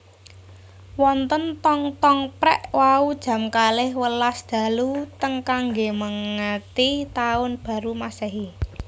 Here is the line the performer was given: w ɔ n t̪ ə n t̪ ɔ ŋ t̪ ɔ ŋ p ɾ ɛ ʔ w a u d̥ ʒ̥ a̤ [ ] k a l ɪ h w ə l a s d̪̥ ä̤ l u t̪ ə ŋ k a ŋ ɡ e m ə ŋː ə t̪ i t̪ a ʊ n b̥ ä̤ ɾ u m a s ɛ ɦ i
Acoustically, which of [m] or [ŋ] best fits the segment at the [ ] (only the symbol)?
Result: m